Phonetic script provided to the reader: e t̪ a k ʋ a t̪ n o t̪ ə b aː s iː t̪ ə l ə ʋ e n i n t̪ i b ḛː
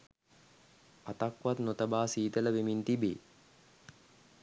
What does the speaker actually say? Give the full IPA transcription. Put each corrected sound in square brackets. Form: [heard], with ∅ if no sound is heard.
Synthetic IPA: [a] t̪ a k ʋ a t̪ n o t̪ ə b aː s iː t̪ ə l ə ʋ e [m] i n t̪ i b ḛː